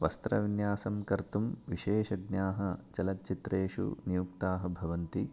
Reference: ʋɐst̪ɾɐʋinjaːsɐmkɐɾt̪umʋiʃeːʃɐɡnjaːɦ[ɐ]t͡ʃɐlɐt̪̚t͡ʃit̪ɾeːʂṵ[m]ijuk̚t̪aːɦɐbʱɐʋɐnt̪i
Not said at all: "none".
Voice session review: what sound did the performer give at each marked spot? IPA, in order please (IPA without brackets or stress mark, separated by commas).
ɐ, n